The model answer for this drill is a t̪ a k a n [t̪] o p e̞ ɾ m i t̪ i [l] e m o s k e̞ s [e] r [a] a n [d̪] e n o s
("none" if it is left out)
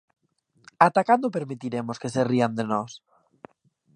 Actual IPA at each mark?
d̪, ɾ, e, i, d̪

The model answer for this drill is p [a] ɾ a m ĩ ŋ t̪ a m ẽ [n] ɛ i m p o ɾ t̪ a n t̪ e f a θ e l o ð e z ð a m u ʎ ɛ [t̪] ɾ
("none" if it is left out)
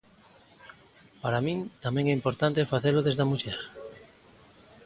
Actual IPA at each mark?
a, ŋ, none

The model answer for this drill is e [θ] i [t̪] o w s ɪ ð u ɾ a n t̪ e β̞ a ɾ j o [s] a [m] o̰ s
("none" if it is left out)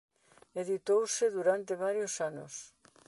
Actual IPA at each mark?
ð, t̪, s, n

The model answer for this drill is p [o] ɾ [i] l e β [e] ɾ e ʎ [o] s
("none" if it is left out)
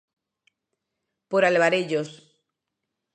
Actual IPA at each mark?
o, a, a, o

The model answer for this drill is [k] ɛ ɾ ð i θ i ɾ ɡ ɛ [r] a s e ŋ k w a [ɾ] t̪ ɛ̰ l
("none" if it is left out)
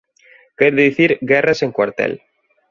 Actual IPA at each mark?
k, r, ɾ

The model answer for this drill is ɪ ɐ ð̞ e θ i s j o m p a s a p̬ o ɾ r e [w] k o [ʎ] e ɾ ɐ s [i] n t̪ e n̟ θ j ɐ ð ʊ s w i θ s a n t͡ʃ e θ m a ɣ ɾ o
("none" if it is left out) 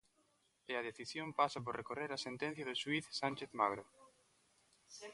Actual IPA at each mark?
none, r, e

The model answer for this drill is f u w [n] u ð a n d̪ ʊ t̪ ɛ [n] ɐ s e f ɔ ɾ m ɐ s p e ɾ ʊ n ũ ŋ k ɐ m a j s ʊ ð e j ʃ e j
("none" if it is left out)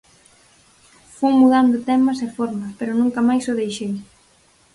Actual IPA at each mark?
m, m

